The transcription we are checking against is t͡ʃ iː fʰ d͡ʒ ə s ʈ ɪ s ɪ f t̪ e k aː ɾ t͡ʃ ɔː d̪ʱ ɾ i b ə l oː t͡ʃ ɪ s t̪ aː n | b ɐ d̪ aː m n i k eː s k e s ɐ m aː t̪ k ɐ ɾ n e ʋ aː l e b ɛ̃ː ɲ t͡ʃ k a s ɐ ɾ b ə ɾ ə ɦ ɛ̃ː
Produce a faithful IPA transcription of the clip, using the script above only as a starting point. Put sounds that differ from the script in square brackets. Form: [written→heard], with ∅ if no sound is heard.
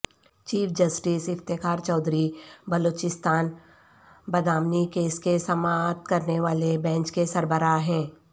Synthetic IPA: t͡ʃ iː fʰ d͡ʒ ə s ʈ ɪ s ɪ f t̪ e k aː ɾ t͡ʃ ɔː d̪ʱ ɾ i b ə l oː t͡ʃ ɪ s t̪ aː n | b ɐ d̪ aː m n i k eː s k e s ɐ m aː t̪ k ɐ ɾ n e ʋ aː l e b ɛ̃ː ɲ t͡ʃ k [a→e] s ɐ ɾ b ə ɾ [ə→a] ɦ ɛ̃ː